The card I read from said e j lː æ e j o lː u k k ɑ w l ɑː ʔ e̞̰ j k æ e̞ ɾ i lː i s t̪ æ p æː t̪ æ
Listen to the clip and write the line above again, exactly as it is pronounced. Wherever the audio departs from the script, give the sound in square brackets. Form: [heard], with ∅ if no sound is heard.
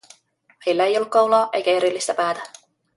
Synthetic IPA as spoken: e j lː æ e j o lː u k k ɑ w l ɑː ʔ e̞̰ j k æ e̞ ɾ i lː i s t̪ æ p æː t̪ æ